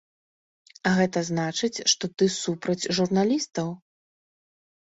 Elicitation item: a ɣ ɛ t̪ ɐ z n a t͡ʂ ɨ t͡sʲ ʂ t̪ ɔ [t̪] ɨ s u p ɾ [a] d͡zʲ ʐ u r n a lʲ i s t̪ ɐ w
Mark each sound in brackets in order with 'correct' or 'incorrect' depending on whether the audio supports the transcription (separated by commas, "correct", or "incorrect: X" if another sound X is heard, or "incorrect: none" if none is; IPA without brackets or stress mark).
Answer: correct, incorrect: ɐ